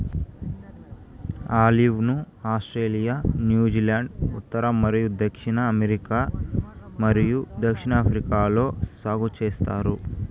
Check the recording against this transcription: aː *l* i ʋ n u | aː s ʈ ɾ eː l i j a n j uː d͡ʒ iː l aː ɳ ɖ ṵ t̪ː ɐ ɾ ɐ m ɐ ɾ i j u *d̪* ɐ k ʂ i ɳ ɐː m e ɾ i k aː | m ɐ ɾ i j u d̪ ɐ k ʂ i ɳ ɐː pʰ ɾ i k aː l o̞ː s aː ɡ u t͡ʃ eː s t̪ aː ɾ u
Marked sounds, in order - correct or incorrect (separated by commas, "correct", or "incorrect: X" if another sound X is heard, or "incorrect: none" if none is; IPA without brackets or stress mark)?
correct, correct